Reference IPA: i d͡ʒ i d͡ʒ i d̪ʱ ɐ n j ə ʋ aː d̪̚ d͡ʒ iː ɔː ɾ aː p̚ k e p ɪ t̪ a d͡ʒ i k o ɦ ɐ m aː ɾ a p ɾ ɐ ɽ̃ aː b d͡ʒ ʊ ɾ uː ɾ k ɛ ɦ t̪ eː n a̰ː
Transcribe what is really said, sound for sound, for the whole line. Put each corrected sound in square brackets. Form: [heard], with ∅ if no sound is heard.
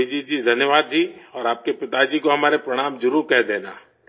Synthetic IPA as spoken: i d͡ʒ i d͡ʒ i d̪ʱ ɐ n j ə ʋ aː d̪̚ d͡ʒ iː ɔː ɾ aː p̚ k e p ɪ t̪ a d͡ʒ i k o ɦ ɐ m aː ɾ [e] p ɾ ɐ ɽ̃ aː [m] d͡ʒ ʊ ɾ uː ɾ k ɛ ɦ [d̪] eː n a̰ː